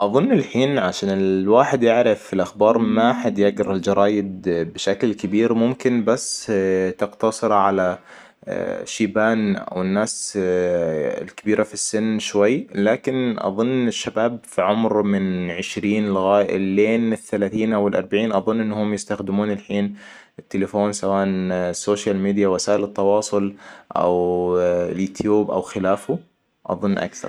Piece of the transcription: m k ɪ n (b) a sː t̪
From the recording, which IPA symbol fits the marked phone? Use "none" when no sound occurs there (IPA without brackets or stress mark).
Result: b